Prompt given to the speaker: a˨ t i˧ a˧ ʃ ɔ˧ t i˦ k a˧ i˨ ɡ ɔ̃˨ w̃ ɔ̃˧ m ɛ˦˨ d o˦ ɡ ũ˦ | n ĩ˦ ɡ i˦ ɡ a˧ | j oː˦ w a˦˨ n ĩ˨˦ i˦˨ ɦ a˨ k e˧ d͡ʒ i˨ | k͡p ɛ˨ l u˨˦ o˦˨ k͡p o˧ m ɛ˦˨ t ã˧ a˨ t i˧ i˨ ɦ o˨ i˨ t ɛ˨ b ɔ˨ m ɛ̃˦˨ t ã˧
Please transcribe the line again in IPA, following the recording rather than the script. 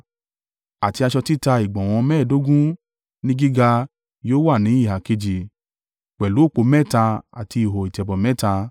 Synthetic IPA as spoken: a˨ t i˧ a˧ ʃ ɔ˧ t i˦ t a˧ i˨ ɡ͡b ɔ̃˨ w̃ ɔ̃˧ m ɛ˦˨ d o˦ ɡ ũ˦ | n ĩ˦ ɡ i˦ ɡ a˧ | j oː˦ w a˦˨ n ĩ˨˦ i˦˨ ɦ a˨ k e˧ d͡ʒ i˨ | k͡p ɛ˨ l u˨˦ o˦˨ k͡p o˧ m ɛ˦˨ t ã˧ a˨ t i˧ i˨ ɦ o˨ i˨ t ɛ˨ b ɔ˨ m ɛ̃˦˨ t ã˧

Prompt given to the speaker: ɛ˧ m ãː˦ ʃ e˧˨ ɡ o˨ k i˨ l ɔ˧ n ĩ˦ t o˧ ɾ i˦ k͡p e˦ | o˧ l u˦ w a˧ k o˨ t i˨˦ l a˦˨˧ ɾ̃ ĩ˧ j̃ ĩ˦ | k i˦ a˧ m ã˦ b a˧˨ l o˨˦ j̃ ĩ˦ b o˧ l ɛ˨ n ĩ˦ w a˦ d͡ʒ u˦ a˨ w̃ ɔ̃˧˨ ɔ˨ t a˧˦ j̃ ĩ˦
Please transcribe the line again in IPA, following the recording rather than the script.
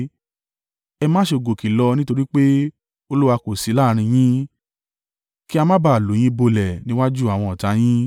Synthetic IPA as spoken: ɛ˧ m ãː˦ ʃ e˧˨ ɡ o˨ k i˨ l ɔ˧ n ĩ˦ t o˧ ɾ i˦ k͡p e˦ | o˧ l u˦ w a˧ k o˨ s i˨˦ l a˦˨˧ ɾ̃ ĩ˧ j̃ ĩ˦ | k i˦ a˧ m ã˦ b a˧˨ l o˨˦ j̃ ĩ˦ b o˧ l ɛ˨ n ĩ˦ w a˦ d͡ʒ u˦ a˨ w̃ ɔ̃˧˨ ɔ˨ t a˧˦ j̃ ĩ˦

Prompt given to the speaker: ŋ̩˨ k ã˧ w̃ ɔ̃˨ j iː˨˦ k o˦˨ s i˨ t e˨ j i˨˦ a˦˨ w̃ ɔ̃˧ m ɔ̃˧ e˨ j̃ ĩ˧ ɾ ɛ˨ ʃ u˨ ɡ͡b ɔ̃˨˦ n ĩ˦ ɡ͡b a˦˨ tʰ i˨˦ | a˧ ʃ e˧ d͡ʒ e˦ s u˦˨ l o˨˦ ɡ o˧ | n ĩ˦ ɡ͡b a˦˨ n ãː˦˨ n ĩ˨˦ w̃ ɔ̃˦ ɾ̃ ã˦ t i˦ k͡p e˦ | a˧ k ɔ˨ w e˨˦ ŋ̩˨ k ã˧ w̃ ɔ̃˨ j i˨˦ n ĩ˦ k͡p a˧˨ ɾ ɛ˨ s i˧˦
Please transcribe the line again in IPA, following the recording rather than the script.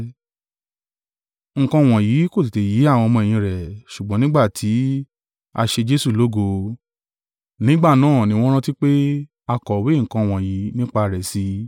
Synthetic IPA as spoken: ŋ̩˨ k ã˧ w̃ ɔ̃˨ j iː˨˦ k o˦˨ s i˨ t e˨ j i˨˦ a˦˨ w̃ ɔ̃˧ m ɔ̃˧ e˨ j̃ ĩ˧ ɾ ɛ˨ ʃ u˨ ɡ͡b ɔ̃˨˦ n ĩ˦ ɡ͡b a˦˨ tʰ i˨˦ | a˧ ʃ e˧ d͡ʒ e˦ s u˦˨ l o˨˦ ɡ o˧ | n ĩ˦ ɡ͡b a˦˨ n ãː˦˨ n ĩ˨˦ w̃ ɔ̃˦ ɾ̃ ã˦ t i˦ k͡p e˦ | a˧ k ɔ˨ w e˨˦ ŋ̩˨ k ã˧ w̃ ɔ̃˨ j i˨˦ n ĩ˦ k͡p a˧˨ ɾ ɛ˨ s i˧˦

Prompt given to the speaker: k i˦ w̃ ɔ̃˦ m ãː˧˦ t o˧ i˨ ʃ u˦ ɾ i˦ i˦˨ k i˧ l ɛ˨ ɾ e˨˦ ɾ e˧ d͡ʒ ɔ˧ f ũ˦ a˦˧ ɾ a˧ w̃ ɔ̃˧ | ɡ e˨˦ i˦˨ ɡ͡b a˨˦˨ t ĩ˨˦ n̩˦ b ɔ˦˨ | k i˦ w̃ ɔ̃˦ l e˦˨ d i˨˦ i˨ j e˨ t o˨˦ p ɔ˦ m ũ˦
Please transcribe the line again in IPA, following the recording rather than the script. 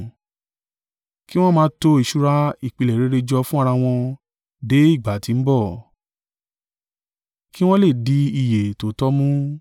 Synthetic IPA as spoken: k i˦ w̃ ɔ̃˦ m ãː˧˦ t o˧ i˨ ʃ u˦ ɾ a˦ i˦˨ k͡p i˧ l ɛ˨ ɾ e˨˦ ɾ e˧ d͡ʒ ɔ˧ f ũ˦ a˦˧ ɾ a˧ w̃ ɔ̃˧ | d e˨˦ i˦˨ ɡ͡b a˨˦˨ t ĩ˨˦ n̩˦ b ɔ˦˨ | k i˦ w̃ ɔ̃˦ l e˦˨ d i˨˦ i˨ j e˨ t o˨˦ t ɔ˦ m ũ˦

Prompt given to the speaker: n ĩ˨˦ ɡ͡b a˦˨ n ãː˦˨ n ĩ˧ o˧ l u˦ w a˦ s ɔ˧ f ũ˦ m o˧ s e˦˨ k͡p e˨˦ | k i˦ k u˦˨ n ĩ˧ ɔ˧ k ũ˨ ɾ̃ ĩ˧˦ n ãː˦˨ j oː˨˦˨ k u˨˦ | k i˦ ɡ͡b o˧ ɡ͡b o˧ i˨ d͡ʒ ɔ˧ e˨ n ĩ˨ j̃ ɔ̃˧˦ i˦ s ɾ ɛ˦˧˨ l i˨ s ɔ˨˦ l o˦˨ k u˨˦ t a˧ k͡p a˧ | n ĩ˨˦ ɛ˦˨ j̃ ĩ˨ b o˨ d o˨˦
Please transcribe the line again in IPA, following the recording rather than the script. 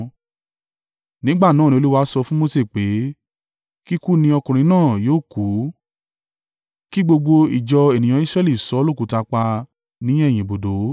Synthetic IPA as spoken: n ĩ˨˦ ɡ͡b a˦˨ n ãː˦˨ n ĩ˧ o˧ l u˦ w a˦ s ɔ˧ f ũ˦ m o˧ s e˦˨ k͡p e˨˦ | k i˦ k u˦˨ n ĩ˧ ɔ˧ k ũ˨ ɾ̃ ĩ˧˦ n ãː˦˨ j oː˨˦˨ k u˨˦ | k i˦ ɡ͡b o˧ ɡ͡b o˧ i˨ d͡ʒ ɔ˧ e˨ n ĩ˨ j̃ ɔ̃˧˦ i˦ s ɾ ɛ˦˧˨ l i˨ s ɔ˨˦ l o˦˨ k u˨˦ t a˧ k͡p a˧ | n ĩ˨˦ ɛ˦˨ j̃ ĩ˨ b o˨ d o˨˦

